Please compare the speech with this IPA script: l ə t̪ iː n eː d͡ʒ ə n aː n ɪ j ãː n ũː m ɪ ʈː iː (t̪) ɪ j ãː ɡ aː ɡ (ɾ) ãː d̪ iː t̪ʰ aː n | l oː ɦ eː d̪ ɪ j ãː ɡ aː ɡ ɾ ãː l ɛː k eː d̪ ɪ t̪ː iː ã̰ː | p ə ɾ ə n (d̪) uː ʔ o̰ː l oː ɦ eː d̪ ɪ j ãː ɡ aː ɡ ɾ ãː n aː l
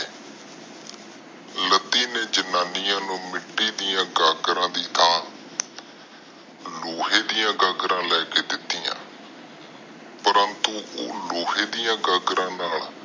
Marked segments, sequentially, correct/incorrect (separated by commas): incorrect, correct, incorrect